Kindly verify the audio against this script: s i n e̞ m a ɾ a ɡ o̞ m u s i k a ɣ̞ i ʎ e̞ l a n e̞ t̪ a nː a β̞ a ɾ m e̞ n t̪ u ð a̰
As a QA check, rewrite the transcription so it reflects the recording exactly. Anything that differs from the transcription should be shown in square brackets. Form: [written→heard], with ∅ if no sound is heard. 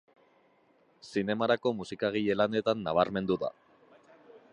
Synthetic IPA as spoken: s i n e̞ m a ɾ a [ɡ→k] o̞ m u s i k a ɣ̞ i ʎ e̞ l a n e̞ t̪ a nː a β̞ a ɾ m e̞ n [t̪→d̪] u ð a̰